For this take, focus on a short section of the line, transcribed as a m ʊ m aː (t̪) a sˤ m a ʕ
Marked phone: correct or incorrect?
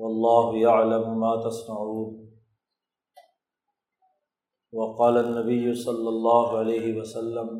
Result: correct